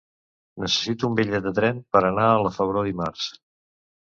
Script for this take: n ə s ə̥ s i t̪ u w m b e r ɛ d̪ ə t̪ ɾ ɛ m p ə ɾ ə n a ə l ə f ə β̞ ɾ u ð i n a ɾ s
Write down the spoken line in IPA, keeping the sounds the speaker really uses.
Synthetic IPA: n ə s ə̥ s i t̪ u u m b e ʎ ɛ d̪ ə t̪ ɾ ɛ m p ə ɾ ə n a ə l ə f ə β̞ ɾ o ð i m a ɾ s